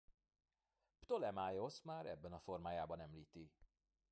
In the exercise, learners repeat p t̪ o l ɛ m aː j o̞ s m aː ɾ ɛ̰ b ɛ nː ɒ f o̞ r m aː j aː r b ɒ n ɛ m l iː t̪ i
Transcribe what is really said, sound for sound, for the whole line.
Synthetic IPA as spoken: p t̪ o l ɛ m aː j o̞ s m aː ɾ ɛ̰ bː ɛ n ɒ f o̞ r m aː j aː b ɒ n ɛ m l iː t̪ i